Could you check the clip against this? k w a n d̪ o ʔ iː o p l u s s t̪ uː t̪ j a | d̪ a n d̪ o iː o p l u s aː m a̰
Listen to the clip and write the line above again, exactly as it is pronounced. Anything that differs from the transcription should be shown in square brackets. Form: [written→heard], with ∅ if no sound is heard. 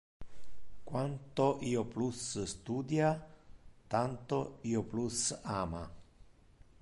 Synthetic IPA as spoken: k w a n [d̪→t̪] o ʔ iː o p l u s s t̪ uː [t̪→d̪] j a | [d̪→t̪] a n [d̪→t̪] o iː o p l u s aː m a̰